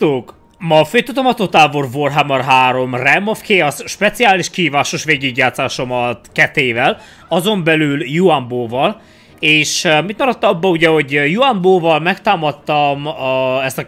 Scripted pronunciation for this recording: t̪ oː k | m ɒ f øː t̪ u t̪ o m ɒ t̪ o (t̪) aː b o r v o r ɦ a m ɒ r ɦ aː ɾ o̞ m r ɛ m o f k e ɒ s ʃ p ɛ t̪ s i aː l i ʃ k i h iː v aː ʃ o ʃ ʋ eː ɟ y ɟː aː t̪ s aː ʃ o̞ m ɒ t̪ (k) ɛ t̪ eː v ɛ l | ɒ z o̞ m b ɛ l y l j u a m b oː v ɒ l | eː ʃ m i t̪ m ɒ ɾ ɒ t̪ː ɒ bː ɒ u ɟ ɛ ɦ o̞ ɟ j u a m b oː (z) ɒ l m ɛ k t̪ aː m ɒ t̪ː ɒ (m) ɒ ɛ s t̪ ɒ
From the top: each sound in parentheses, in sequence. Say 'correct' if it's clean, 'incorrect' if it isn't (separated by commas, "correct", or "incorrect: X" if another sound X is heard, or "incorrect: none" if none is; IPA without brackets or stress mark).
correct, correct, incorrect: v, correct